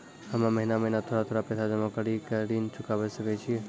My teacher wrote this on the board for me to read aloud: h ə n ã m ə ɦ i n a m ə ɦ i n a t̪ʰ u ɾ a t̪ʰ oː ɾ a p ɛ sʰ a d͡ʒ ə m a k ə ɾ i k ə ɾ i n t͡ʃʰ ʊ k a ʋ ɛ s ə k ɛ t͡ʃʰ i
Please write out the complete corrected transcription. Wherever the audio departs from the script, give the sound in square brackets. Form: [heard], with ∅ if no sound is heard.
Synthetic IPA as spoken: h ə [m] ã m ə ɦ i n a m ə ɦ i n a t̪ʰ [o] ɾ a t̪ʰ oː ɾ a p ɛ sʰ a d͡ʒ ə m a k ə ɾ i k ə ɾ i n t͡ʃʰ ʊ k a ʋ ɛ s ə k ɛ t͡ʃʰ i